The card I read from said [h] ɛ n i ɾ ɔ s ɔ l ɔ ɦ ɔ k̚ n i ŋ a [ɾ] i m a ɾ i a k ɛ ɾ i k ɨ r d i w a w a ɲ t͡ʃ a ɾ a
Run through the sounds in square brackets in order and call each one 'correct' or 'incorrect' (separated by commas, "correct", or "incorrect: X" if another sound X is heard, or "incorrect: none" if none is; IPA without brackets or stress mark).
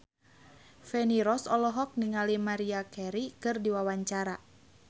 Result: incorrect: f, incorrect: l